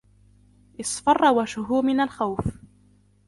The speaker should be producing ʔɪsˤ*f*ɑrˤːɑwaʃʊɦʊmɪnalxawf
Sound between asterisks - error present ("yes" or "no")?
no